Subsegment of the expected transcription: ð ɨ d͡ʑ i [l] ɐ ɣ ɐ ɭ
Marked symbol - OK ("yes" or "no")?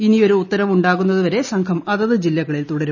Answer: no